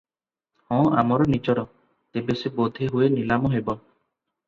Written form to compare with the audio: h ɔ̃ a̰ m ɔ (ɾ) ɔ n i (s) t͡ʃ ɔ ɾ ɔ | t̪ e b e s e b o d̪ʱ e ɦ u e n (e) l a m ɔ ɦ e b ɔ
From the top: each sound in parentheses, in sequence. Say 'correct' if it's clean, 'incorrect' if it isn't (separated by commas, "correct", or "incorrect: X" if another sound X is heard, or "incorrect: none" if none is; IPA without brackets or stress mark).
correct, incorrect: none, incorrect: i